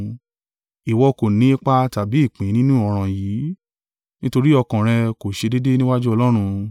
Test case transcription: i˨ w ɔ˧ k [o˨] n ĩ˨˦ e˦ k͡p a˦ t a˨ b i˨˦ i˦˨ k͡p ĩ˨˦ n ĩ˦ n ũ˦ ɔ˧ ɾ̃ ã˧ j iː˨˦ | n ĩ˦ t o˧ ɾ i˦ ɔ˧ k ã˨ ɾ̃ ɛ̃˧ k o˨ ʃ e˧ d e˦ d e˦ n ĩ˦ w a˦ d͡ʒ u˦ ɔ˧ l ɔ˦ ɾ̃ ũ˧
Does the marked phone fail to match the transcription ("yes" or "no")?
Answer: no